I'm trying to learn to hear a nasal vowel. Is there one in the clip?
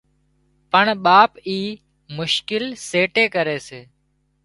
no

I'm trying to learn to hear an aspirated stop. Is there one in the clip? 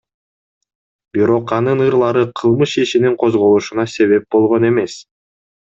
yes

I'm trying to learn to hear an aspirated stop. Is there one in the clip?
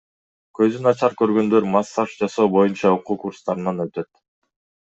no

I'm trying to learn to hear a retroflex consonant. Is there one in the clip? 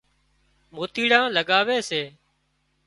yes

